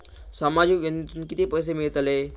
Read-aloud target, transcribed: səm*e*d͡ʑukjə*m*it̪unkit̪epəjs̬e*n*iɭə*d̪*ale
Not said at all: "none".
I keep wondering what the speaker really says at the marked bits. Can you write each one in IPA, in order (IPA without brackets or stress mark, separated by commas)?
a, n, m, t̪